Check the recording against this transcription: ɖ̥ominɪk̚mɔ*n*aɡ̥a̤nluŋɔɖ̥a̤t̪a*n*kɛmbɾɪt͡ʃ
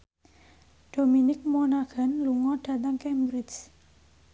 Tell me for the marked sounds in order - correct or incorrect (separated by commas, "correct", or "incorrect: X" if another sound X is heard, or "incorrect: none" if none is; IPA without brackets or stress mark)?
correct, incorrect: ŋ